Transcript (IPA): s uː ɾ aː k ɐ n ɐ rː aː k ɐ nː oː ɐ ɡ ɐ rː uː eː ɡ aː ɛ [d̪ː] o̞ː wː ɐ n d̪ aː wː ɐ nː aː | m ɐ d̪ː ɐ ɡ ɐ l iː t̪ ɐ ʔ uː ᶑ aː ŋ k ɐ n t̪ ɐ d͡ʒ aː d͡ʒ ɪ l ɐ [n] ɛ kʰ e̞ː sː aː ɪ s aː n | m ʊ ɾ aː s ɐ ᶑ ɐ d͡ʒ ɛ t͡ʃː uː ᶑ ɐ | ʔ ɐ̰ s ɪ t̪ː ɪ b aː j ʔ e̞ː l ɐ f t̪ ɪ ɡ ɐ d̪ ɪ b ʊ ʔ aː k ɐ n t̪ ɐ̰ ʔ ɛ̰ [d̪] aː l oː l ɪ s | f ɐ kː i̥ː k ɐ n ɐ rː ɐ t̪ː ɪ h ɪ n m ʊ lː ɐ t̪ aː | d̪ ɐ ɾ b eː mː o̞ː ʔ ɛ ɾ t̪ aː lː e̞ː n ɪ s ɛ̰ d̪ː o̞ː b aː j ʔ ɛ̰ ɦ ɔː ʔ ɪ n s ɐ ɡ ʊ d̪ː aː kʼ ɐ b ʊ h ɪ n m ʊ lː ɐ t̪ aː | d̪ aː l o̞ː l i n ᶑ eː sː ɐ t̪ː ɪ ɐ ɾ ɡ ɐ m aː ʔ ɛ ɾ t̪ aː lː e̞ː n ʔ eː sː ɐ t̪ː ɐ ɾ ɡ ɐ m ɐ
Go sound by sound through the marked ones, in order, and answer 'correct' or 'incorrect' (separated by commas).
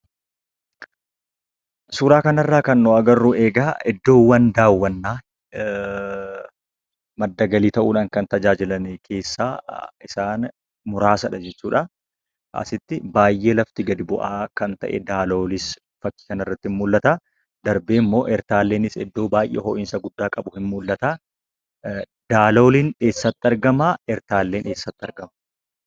correct, correct, correct